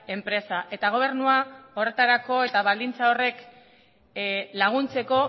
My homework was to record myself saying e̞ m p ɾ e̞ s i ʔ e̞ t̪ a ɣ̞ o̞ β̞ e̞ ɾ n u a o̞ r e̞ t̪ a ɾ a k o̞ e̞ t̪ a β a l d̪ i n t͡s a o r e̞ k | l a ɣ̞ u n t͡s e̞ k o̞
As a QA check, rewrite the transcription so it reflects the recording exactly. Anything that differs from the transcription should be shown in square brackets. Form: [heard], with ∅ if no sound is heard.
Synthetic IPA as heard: e̞ m p ɾ e̞ s [a] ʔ e̞ t̪ a ɣ̞ o̞ β̞ e̞ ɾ n u a o̞ r e̞ t̪ a ɾ a k o̞ e̞ t̪ a β a l d̪ i n t͡s a o r e̞ k | l a ɣ̞ u n t͡s e̞ k o̞